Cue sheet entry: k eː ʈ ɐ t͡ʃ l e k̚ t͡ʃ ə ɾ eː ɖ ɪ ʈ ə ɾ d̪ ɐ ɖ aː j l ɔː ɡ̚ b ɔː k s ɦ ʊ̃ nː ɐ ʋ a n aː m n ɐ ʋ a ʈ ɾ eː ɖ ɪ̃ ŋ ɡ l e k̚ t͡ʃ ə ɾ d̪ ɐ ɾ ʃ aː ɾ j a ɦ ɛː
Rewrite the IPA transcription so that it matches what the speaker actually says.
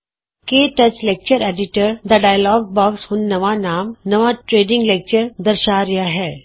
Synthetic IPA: k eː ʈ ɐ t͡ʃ l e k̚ t͡ʃ ə ɾ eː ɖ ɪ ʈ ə ɾ d̪ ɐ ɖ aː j l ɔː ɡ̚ b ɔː k s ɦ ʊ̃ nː ɐ ʋ a n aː m n ɐ ʋ a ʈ ɾ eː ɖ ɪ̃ ŋ ɡ l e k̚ t͡ʃ ə ɾ d̪ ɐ ɾ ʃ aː ɾ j a ɦ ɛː